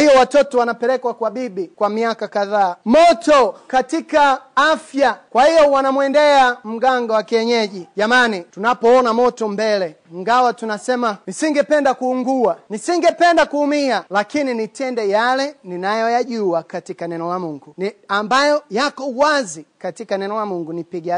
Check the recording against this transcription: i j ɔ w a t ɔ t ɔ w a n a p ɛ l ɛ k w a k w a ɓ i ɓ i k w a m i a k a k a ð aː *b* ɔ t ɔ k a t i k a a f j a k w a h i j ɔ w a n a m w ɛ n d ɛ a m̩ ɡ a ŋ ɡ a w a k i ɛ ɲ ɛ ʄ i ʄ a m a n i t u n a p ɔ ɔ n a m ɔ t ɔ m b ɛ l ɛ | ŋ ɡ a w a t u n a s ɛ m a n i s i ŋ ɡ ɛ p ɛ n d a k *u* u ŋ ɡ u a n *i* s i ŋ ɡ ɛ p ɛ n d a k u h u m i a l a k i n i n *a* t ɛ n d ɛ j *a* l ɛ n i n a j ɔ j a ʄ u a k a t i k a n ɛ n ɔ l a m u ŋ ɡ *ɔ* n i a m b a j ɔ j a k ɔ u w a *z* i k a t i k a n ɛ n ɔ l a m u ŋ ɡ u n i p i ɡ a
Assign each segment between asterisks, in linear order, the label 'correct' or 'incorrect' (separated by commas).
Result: incorrect, correct, correct, incorrect, correct, incorrect, correct